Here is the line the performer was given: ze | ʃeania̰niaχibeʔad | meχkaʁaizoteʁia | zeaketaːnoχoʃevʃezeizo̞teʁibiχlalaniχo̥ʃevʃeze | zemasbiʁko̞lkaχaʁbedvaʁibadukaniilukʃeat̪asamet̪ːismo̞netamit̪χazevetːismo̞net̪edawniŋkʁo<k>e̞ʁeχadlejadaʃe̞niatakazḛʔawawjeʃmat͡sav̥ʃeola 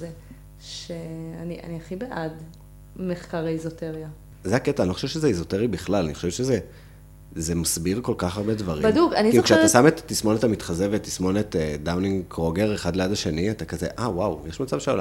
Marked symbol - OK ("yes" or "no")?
no